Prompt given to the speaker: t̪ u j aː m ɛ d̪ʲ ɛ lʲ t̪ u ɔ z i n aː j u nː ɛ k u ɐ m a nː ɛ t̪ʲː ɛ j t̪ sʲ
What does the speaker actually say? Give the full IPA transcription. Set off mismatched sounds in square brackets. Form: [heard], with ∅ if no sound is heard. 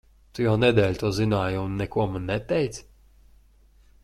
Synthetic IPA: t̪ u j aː [n] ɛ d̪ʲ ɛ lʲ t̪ u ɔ z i n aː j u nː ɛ k u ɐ m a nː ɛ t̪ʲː ɛ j t̪ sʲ